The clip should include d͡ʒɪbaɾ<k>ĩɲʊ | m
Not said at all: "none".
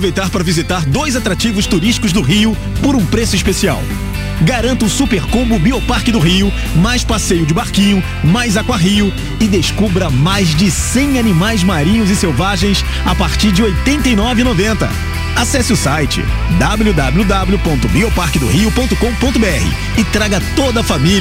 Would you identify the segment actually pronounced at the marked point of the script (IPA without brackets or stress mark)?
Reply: k